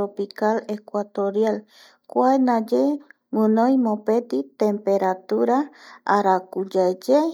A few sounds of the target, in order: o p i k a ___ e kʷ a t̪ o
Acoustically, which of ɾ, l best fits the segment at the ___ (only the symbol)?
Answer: l